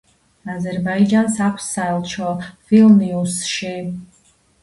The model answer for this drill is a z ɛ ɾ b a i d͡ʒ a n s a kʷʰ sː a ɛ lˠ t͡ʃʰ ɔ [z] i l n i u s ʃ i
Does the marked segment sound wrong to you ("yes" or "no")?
yes